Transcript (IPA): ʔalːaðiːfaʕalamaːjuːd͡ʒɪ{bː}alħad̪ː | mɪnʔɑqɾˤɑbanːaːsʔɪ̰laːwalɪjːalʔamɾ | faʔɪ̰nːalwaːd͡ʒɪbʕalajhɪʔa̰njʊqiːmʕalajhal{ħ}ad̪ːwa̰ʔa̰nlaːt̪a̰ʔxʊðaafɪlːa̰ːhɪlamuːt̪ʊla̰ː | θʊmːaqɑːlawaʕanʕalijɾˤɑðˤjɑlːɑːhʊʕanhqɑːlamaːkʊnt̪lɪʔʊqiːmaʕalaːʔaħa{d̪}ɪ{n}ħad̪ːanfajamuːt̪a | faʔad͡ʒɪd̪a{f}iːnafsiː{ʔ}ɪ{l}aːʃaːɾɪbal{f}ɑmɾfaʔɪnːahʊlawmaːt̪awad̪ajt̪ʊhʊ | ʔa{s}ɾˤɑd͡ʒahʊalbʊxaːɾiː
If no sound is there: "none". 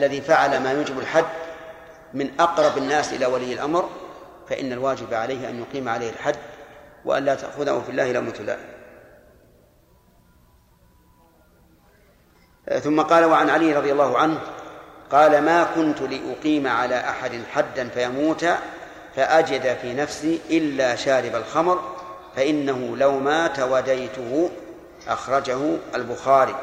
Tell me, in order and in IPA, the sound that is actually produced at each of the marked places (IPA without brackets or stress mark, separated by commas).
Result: b, ħ, d̪, n, f, ʔ, lː, x, x